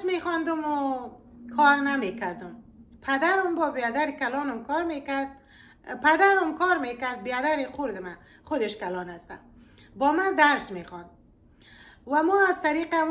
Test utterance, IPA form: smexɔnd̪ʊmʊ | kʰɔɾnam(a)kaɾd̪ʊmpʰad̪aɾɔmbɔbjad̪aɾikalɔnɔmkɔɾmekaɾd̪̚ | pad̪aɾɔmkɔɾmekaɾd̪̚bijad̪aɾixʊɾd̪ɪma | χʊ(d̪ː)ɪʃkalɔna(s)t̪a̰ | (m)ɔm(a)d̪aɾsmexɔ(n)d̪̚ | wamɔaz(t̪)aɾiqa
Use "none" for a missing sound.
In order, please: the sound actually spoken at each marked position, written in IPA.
e, d̪, s, b, a, n, t̪

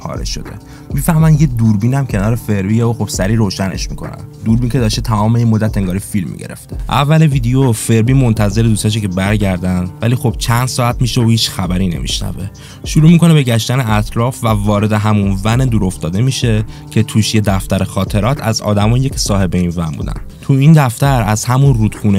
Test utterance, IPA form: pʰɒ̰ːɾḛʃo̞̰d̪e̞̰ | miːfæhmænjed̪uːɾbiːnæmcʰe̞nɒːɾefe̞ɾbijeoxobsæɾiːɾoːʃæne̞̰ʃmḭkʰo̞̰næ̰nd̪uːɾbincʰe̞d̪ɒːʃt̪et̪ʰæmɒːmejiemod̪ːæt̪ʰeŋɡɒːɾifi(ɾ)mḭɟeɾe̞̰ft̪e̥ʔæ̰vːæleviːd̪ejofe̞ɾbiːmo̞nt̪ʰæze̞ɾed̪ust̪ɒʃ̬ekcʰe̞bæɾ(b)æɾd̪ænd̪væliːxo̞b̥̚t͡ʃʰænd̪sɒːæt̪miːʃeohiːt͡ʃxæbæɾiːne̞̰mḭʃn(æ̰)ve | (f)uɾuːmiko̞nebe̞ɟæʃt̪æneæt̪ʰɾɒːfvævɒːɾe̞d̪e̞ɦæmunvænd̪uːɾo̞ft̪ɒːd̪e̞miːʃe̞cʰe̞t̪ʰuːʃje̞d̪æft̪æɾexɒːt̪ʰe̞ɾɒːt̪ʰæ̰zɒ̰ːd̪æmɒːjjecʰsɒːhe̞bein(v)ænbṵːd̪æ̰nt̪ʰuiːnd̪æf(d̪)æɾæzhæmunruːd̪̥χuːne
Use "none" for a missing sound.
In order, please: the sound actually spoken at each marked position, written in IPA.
l, ɟ, æ̰, ʃ, v, t̪

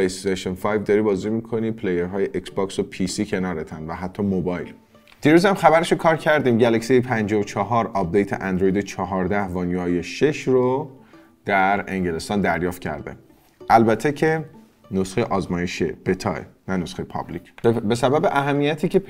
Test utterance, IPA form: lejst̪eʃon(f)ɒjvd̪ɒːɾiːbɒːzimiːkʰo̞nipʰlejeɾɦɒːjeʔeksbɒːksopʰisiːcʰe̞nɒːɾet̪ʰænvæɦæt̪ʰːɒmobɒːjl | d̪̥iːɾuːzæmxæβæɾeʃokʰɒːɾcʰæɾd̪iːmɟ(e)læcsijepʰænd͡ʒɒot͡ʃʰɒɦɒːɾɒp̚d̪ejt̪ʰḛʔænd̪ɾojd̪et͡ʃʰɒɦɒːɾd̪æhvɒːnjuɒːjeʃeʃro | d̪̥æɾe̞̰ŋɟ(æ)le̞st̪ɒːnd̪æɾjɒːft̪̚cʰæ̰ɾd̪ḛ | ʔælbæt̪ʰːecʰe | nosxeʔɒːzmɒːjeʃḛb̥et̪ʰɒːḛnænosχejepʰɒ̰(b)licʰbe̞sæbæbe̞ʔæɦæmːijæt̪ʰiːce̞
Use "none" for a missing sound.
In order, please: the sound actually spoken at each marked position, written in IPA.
f, æ, e, b

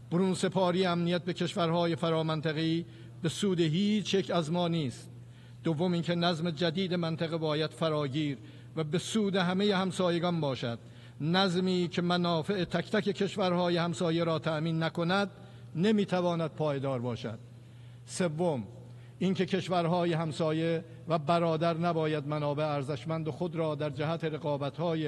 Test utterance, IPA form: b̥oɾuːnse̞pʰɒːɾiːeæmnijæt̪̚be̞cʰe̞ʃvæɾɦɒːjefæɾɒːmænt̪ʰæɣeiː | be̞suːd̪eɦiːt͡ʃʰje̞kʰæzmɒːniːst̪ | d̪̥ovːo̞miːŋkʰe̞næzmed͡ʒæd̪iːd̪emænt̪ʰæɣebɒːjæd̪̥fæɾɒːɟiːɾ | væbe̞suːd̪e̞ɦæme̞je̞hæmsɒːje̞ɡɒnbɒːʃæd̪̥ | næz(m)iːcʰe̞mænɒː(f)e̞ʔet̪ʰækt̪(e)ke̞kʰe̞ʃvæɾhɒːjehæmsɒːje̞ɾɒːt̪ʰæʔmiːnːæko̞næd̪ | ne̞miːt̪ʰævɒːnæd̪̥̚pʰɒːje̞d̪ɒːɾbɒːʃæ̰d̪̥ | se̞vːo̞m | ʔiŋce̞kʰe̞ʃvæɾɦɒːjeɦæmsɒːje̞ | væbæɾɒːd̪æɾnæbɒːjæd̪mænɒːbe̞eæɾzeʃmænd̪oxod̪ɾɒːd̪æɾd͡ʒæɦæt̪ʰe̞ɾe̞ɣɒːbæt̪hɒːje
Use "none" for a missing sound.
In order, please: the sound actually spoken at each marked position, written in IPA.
m, f, æ

